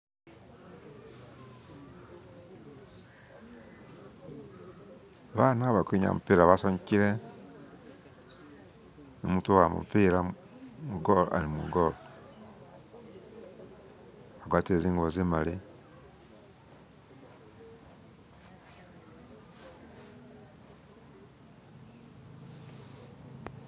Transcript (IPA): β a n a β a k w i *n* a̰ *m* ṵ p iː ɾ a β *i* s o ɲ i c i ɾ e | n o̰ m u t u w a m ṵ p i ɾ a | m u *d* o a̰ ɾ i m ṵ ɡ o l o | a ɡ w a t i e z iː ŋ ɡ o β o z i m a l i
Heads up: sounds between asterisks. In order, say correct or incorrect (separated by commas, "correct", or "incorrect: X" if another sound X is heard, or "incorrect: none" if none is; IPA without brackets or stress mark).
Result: incorrect: ɲ, correct, incorrect: a, incorrect: ɡ